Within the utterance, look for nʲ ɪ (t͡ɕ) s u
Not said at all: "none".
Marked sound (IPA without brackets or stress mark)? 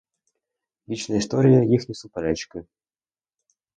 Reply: none